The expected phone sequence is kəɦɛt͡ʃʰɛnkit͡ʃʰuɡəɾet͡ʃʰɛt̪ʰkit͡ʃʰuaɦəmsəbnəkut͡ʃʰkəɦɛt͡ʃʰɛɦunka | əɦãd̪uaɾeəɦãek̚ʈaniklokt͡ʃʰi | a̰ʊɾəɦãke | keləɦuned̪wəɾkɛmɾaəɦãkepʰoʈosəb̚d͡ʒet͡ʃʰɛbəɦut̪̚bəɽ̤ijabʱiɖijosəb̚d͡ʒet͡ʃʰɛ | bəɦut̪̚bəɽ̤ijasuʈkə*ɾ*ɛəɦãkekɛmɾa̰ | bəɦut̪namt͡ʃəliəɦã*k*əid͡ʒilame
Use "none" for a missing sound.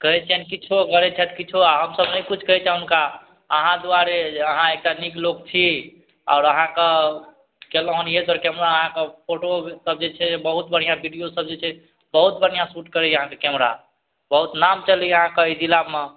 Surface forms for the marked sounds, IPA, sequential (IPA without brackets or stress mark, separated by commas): ɾ, k